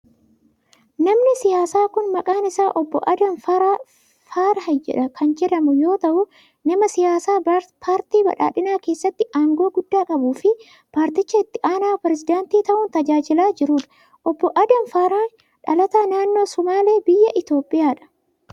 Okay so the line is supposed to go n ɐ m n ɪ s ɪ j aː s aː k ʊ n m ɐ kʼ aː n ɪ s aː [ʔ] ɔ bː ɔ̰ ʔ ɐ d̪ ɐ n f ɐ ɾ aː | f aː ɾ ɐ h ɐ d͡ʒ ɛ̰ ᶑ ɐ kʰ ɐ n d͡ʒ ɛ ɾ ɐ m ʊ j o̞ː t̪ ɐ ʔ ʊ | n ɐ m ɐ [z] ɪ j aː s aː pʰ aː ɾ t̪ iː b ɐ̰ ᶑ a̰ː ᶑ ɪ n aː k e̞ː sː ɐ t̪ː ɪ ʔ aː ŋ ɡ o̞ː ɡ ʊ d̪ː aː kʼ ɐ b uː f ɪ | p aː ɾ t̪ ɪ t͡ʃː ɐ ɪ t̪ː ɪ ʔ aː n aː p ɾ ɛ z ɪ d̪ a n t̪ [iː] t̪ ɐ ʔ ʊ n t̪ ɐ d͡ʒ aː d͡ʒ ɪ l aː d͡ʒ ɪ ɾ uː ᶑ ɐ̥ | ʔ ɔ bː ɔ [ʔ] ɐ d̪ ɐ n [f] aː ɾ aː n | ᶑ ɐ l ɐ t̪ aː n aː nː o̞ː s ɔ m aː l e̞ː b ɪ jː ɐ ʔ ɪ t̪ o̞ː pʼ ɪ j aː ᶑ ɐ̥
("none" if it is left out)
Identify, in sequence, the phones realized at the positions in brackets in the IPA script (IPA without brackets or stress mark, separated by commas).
ʔ, s, iː, ʔ, f